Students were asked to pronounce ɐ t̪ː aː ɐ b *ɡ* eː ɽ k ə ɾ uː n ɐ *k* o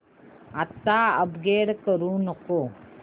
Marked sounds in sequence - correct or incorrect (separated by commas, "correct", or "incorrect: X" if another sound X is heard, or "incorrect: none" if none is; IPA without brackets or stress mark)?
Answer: correct, correct